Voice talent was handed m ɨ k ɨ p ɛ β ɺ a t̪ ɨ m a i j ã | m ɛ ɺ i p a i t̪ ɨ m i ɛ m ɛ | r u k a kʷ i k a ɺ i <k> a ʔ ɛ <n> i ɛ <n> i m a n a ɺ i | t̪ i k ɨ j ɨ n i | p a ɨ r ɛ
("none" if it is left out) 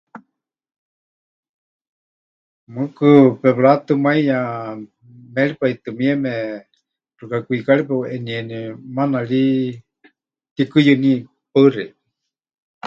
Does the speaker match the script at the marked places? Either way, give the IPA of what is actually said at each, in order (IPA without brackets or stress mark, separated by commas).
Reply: p, n, n